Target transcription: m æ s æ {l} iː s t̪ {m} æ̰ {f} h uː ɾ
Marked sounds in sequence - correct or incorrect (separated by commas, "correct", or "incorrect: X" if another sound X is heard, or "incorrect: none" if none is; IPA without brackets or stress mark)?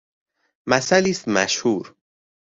correct, correct, incorrect: ʃ